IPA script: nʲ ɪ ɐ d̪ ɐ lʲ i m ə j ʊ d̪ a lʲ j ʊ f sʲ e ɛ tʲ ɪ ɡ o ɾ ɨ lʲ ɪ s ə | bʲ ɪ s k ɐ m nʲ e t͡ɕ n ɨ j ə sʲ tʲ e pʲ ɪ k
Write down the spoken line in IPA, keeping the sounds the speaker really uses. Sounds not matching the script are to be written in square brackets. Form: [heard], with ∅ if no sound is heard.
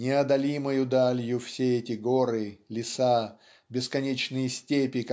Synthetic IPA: nʲ ɪ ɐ d̪ ɐ lʲ i m ə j ʊ d̪ a lʲ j ʊ f sʲ e ɛ tʲ ɪ ɡ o ɾ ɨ lʲ ɪ s [a] | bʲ ɪ s k ɐ [∅] nʲ e t͡ɕ n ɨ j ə sʲ tʲ e pʲ ɪ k